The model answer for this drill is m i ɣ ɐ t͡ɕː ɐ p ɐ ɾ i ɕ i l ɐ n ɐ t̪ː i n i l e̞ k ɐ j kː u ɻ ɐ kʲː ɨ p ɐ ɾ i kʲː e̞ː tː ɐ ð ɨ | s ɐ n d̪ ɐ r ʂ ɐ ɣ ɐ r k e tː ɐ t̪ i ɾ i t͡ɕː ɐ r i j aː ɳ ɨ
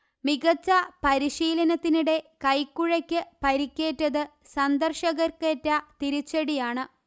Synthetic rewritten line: m i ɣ ɐ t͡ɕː ɐ p ɐ ɾ i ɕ iː l ɐ n ɐ t̪ː i n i ɽ e̞ k ɐ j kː u ɻ ɐ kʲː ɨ p ɐ ɾ i kʲː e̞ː tː ɐ ð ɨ | s ɐ n d̪ ɐ r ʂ ɐ ɣ ɐ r k e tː ɐ t̪ i ɾ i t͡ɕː ɐ ɽ i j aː ɳ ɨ